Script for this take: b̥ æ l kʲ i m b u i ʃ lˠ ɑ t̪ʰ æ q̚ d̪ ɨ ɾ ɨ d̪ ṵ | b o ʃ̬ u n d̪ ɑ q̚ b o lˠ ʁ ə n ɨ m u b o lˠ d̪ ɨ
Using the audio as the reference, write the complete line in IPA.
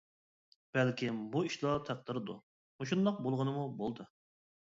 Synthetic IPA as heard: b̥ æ l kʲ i m b u i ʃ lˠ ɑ t̪ʰ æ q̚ d̪ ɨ ɾ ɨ d̪ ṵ | m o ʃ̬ u n d̪ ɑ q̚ b o lˠ ʁ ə n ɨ m u b o lˠ d̪ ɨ